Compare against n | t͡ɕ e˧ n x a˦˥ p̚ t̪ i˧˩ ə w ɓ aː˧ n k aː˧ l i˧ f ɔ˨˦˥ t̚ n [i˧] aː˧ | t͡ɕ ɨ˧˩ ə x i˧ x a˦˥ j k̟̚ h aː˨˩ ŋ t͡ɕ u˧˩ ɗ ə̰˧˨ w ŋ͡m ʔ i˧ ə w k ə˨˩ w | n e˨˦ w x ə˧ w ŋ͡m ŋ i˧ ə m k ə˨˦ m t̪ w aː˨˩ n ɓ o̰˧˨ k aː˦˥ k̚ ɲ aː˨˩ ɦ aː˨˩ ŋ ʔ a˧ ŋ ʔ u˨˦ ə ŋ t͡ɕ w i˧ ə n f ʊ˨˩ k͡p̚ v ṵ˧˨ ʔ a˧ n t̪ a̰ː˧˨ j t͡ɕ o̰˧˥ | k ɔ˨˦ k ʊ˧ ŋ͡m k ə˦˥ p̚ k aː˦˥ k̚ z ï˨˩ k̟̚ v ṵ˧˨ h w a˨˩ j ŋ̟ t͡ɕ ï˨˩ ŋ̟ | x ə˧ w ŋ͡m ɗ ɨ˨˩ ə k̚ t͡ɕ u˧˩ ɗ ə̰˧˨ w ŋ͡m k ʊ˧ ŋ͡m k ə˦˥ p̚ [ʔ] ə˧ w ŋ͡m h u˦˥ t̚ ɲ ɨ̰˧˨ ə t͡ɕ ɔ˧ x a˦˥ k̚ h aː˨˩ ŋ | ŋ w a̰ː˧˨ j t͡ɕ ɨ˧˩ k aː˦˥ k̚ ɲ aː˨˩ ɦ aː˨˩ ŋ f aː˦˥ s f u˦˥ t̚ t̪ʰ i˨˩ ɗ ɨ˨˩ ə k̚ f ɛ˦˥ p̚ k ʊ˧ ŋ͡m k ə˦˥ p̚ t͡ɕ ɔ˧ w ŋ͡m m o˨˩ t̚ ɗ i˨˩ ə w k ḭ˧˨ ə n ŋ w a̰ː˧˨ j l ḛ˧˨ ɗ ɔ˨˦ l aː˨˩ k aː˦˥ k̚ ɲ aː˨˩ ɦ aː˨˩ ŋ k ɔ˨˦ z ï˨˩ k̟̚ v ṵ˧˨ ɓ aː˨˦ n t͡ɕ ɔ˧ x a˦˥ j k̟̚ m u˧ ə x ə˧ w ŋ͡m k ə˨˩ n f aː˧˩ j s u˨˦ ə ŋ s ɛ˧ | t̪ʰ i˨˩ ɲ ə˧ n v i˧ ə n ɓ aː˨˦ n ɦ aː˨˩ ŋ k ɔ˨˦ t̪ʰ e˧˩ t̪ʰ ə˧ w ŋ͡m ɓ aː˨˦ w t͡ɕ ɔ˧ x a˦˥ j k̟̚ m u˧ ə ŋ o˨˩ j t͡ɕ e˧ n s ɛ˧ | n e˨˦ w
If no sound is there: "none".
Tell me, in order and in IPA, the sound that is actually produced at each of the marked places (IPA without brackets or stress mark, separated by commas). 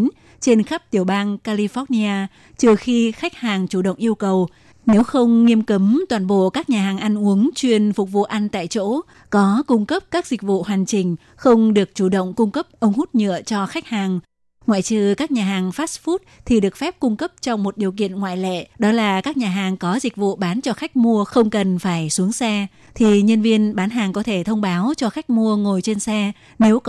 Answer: i˧, ʔ